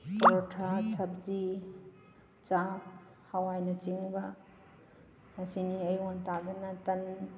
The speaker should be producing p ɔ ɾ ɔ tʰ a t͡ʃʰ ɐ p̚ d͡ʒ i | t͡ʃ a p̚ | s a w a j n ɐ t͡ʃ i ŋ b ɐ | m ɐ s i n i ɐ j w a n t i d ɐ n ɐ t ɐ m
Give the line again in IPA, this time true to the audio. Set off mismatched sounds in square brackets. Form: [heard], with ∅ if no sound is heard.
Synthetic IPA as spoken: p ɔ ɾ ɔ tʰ a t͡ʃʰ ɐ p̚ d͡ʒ i | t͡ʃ a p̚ | [h] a w a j n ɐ t͡ʃ i ŋ b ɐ | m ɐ s i n i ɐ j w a n t [a] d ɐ n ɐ t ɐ [n]

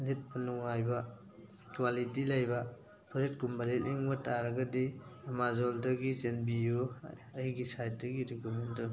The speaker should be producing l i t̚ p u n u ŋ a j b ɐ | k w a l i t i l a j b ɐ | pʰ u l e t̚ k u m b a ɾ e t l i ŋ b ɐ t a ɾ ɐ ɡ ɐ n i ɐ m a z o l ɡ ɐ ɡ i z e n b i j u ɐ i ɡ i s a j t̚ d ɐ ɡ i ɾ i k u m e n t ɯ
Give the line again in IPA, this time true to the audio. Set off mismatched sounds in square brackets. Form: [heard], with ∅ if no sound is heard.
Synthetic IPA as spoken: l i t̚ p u n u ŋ a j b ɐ | k w a l i t i l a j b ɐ | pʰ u [ɾ] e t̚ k u m b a [l] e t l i ŋ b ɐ t a ɾ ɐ ɡ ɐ [d] i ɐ m a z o l [d] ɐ ɡ i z e n b i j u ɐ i ɡ i s a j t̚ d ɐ ɡ i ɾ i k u m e n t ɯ

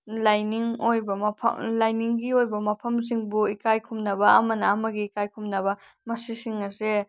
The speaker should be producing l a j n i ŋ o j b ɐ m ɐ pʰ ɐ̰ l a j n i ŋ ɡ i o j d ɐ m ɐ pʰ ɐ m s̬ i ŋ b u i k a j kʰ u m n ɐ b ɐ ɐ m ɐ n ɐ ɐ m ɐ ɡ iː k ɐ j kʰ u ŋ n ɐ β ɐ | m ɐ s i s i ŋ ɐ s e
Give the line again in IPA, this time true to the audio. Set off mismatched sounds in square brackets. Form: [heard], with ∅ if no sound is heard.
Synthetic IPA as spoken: l a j n i ŋ o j b ɐ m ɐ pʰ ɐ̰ l a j n i ŋ ɡ i o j [b] ɐ m ɐ pʰ ɐ m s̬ i ŋ b u i k a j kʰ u m n ɐ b ɐ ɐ m ɐ n ɐ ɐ m ɐ ɡ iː k [a] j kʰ u [m] n ɐ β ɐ | m ɐ s i s i ŋ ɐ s e

